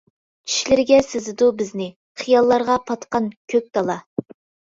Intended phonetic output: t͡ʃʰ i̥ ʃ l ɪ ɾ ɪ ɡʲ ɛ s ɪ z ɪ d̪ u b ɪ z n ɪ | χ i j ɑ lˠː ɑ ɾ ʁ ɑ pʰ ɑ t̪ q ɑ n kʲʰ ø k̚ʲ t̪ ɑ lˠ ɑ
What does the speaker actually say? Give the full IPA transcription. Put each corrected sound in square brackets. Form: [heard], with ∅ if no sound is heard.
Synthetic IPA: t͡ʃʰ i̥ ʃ l ɪ ɾ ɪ ɡʲ ɛ s ɪ z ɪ d̪ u b ɪ z n ɪ | χ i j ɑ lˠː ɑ ɾ ʁ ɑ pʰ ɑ t̪ q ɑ n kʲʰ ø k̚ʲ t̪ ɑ lˠ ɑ